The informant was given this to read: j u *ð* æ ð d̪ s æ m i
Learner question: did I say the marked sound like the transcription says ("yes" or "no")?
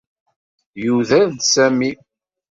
yes